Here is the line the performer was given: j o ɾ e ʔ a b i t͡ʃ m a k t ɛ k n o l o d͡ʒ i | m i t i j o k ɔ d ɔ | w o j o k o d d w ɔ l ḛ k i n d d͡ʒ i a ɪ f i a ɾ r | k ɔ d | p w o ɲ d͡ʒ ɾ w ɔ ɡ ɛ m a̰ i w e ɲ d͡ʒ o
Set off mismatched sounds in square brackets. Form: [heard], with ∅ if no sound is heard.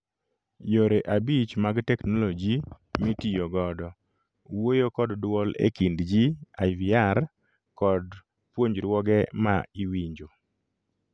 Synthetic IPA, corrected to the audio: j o ɾ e ʔ a b i t͡ʃ m a [ɡ] t ɛ k n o l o d͡ʒ i | m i t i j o [ɡ] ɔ d ɔ | w o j o k [ɔ] d d w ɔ l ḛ k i n d d͡ʒ i a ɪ [v] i a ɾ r | k ɔ d | p w o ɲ d͡ʒ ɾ w ɔ ɡ ɛ m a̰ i w [i] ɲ d͡ʒ o